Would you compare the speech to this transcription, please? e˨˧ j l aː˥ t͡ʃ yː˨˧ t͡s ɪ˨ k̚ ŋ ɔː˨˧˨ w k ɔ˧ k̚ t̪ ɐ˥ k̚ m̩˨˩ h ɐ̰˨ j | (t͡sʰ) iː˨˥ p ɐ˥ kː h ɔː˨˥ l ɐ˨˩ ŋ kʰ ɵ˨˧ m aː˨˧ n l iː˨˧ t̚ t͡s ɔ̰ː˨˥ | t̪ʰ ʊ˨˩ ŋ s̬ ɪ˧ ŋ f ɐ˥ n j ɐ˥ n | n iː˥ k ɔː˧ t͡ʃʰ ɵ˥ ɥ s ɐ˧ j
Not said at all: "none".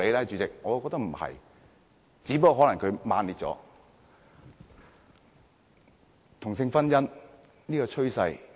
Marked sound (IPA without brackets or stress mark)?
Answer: t͡s